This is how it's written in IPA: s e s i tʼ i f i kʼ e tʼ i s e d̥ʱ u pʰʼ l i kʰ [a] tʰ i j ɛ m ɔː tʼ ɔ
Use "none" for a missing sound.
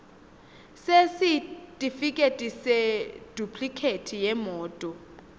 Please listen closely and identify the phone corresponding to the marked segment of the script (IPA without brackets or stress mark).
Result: e